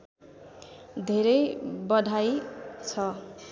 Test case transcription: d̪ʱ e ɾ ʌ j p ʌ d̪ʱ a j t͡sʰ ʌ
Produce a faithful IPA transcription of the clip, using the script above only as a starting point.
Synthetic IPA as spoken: d̪ʱ e ɾ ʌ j b ʌ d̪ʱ a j t͡sʰ ʌ